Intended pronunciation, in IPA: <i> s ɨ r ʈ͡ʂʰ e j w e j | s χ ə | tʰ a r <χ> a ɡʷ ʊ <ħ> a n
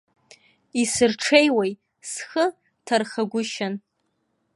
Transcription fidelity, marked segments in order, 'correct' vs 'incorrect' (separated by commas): correct, correct, incorrect